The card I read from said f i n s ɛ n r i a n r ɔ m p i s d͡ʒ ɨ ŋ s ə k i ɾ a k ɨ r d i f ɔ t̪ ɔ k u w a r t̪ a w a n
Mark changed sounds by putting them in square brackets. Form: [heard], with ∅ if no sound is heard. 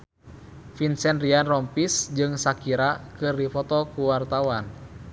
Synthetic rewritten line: f i n s ɛ n r i a n r ɔ m p i s d͡ʒ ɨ ŋ s [a] k i ɾ a k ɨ r d i f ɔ t̪ ɔ k u w a r t̪ a w a n